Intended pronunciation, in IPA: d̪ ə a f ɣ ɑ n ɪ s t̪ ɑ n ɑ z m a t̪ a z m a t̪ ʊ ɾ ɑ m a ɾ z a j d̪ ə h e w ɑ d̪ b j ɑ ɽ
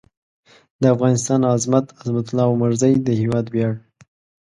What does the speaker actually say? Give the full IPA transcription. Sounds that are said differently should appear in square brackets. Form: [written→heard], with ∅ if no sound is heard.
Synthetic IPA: d̪ ə a f ɣ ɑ n ɪ s t̪ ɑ n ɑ z m a t̪ a z m a t̪ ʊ [ɾ→l] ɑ m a ɾ z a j d̪ ə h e w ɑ d̪ b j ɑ ɽ